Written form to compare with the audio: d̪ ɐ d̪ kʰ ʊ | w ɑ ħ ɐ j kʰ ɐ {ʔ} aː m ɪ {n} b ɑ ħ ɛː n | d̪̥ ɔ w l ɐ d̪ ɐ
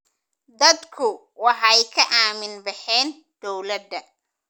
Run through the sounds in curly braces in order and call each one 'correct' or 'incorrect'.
correct, correct

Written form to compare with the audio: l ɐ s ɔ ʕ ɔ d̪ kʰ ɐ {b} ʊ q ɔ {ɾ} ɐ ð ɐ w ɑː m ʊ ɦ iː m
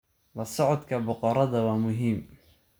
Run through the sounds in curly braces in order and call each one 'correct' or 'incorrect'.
correct, correct

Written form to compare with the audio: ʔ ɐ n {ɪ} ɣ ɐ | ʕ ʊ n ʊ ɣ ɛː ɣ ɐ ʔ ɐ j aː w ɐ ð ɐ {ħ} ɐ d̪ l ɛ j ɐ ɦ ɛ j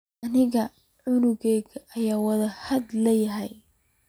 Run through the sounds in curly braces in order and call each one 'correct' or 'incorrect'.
correct, incorrect: h

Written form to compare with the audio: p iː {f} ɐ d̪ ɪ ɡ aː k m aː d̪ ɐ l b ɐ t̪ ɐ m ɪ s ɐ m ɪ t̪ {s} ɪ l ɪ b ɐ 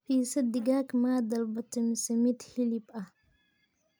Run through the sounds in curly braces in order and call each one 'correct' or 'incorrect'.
incorrect: s, incorrect: h

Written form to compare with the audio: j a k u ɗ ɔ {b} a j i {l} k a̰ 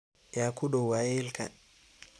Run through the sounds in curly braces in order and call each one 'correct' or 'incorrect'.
incorrect: w, correct

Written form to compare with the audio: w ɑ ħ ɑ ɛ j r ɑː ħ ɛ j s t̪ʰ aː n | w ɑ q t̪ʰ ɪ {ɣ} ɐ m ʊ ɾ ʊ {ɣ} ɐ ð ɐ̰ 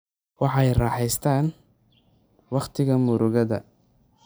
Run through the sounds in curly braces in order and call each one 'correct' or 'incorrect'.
correct, correct

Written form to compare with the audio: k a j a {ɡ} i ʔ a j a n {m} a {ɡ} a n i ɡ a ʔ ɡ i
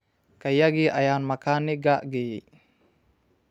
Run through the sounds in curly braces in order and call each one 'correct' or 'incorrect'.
correct, correct, incorrect: k

